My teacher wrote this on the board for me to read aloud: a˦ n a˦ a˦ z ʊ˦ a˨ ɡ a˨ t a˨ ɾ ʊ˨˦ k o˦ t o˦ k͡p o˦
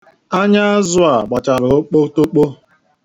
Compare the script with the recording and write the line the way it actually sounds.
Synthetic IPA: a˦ ɲ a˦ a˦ z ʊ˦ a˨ ɡ͡b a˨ t͡ʃ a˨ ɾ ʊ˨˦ k͡p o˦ t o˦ k͡p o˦